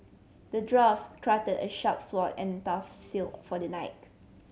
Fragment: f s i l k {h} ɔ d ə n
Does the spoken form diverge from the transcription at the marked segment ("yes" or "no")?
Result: yes